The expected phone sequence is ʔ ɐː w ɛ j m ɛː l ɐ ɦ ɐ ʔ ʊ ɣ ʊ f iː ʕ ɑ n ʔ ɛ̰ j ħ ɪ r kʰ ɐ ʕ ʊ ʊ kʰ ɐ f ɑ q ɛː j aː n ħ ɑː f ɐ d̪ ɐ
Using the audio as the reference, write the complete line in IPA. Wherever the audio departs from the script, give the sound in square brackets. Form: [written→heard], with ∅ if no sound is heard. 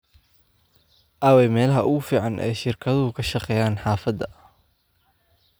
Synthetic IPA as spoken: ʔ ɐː w ɛ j m ɛː l ɐ ɦ ɐ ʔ ʊ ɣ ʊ f iː ʕ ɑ n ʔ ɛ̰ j [ħ→ʃ] ɪ r kʰ ɐ [ʕ→ð] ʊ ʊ kʰ ɐ [f→ʃ] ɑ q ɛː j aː n ħ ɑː f ɐ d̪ ɐ